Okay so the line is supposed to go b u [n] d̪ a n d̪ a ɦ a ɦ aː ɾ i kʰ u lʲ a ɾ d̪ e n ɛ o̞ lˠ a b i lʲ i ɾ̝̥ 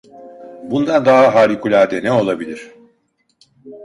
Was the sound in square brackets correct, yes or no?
yes